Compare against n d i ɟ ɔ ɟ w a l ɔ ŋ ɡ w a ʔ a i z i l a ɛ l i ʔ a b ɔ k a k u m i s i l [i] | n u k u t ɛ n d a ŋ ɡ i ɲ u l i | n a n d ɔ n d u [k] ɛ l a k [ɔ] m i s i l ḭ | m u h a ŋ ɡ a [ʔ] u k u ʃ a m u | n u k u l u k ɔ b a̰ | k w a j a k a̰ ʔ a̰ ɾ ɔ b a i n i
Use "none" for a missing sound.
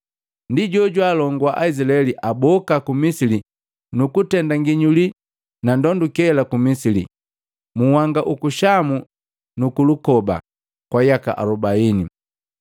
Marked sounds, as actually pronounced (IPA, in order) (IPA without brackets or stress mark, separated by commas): i, k, u, ʔ